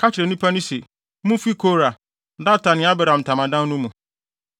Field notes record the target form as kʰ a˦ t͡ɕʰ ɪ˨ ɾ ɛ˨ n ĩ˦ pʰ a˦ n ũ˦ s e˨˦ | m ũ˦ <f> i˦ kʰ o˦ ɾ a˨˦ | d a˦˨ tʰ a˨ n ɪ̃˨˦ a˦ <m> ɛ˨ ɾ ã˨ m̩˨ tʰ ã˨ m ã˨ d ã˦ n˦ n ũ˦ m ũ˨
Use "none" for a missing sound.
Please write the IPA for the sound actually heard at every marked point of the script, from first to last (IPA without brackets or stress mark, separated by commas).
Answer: f, b